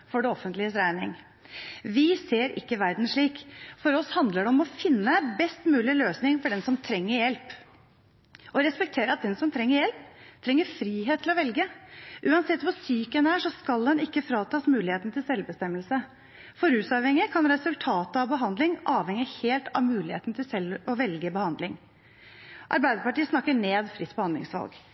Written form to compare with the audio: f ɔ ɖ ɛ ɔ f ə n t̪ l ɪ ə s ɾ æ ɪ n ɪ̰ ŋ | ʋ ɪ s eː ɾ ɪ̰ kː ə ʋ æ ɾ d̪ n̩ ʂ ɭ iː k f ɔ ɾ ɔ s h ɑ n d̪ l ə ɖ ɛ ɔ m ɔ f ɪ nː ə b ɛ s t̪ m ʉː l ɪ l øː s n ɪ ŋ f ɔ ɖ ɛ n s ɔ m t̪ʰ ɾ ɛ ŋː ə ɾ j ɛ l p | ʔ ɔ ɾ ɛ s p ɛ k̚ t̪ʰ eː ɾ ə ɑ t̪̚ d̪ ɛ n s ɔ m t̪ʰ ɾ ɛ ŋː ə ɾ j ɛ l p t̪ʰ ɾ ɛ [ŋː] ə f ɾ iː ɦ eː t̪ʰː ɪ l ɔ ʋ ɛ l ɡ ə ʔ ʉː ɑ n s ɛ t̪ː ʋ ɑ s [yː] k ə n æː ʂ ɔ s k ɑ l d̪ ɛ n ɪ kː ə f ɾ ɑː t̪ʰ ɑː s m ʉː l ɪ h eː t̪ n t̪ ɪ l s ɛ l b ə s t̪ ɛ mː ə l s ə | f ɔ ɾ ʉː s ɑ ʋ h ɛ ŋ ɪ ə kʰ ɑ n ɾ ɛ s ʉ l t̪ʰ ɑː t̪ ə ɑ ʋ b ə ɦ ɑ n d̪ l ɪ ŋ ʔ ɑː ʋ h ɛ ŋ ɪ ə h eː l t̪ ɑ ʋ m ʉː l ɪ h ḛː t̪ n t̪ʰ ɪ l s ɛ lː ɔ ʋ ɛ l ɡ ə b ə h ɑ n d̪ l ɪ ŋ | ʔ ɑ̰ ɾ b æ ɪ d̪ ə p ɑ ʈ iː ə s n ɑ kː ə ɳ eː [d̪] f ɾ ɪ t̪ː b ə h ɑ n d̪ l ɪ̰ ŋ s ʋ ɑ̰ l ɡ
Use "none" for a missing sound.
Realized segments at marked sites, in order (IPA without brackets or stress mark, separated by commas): ŋː, yː, d̪